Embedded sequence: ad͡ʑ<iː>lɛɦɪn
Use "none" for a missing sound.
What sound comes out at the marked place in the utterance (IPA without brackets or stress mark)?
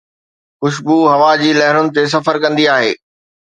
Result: iː